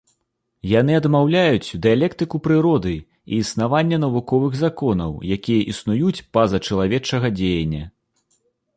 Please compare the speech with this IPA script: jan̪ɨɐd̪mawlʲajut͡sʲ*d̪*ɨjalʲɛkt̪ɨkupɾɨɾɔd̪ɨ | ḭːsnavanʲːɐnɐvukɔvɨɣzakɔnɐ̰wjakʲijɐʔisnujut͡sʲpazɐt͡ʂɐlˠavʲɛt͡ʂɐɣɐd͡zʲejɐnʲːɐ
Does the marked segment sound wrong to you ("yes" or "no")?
no